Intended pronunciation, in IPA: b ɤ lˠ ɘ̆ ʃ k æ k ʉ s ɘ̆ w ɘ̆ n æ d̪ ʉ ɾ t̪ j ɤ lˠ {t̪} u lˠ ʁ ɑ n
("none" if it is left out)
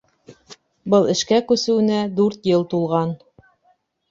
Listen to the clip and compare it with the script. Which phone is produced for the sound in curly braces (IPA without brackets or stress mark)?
t̪